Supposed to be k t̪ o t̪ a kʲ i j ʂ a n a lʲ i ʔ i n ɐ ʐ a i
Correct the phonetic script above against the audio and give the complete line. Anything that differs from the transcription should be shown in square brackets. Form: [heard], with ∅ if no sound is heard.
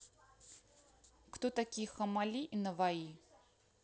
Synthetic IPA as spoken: k t̪ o t̪ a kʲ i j [x] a [m] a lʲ i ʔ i n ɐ [v] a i